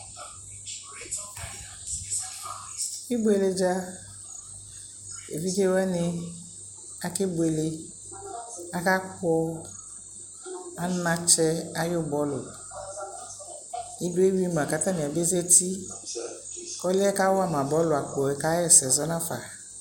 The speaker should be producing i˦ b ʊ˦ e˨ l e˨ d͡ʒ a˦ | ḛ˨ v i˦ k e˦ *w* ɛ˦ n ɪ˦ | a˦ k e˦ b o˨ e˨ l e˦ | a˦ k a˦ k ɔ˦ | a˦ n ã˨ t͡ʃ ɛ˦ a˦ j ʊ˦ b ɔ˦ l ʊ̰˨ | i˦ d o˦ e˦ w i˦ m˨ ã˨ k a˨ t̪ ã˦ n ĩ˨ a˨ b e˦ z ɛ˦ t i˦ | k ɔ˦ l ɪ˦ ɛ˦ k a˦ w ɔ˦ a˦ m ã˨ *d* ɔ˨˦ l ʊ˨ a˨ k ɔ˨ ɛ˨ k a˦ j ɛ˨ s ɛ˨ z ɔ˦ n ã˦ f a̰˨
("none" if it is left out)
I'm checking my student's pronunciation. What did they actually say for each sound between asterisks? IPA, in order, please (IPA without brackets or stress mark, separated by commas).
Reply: w, b